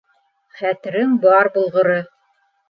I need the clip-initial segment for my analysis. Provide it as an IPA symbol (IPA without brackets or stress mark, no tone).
χ